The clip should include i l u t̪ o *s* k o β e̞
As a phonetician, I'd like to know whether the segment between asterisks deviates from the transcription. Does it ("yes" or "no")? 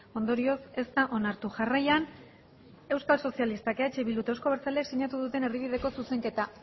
no